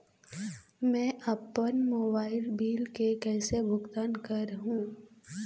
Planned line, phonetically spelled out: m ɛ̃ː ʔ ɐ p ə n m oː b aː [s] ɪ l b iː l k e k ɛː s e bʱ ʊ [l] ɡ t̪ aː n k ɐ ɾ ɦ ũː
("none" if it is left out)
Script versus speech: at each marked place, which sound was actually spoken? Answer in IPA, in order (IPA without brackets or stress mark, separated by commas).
none, none